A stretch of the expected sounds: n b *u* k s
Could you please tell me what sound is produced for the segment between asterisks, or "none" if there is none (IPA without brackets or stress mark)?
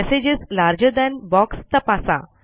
ɔ